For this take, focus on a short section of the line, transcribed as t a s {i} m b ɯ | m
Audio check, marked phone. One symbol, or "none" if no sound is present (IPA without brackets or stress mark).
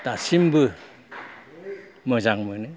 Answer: i